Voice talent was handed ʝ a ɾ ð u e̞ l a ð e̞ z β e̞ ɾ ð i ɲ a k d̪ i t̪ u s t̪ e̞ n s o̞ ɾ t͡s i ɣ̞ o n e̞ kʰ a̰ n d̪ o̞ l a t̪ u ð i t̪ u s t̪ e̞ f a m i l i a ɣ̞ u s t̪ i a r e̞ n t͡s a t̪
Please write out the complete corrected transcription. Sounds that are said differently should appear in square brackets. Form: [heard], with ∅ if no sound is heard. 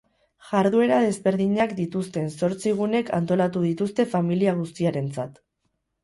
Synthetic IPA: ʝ a ɾ ð u e̞ [ɾ] a ð e̞ z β e̞ ɾ ð i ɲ a k d̪ i t̪ u s t̪ e̞ n s o̞ ɾ t͡s i ɣ̞ [u] n e̞ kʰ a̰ n [t̪] o̞ l a t̪ u ð i t̪ u s t̪ e̞ f a m i l i a ɣ̞ u s t̪ i a [ɾ] e̞ n t͡s a t̪